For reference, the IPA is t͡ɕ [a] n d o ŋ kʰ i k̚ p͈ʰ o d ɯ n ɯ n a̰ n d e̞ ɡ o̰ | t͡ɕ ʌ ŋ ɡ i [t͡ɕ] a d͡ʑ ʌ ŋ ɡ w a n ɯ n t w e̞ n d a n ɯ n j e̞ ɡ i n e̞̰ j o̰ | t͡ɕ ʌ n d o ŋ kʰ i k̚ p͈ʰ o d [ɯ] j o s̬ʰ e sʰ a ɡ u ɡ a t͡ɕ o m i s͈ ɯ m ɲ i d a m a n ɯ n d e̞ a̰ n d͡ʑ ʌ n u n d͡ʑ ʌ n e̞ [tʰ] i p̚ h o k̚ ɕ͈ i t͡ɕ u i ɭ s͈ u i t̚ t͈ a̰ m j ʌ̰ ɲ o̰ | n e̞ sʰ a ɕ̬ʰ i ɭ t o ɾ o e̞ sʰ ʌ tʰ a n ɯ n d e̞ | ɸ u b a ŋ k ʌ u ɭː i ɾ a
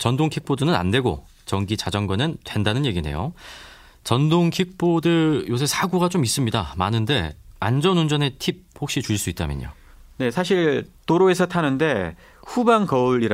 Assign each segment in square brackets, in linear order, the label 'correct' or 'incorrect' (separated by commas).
incorrect, correct, correct, correct